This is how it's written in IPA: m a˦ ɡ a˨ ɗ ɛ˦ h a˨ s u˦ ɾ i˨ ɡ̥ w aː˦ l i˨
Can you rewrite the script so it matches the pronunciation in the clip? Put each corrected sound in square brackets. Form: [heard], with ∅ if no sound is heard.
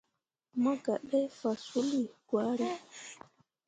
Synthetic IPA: m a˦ ɡ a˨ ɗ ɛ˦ [f] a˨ s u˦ [l] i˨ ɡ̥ w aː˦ [ɾ] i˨